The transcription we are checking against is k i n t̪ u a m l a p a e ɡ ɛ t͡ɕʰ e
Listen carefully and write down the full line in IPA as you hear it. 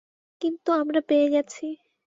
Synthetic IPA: k i n t̪ u a m ɾ a p e e ɡ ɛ t͡ɕʰ i